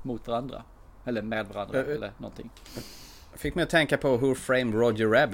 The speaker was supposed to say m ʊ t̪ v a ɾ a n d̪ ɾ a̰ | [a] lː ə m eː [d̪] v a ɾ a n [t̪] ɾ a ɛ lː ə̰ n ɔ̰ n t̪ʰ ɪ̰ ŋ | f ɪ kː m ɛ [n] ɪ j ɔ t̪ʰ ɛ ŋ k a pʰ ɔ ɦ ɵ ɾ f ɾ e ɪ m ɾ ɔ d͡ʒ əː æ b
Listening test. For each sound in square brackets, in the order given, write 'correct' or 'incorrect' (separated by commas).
incorrect, correct, incorrect, incorrect